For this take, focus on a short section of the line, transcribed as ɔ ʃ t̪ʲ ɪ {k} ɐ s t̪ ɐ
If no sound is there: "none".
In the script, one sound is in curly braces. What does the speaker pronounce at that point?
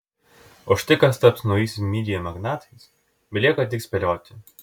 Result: k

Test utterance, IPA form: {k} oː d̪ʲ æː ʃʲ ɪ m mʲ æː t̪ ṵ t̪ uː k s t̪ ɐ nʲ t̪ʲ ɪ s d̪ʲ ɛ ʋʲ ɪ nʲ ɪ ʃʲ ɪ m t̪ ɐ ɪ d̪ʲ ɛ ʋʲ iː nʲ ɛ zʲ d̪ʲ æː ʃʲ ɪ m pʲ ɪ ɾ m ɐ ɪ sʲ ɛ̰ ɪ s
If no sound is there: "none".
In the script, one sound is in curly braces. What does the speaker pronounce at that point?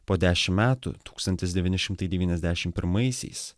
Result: p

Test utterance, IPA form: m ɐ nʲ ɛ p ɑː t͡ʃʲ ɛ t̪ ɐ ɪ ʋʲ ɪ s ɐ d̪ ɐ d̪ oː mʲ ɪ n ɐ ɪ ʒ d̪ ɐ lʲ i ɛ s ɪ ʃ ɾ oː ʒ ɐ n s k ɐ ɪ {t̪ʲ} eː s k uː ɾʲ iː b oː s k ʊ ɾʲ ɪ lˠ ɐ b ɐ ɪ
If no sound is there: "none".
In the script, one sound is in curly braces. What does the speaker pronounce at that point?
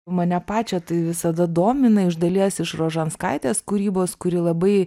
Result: t̪ʲ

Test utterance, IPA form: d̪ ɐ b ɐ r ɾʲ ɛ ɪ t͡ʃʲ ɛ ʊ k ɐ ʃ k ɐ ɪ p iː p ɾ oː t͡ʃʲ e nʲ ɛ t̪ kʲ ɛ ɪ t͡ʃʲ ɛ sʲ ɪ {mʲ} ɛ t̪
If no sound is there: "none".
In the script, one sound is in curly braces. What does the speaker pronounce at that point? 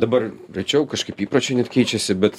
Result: bʲ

